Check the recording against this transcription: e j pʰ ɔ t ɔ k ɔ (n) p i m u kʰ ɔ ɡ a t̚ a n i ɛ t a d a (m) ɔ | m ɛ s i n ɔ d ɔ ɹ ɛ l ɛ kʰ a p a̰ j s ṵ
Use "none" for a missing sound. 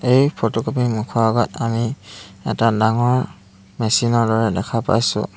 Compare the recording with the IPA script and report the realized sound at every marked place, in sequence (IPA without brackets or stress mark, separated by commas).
none, ŋ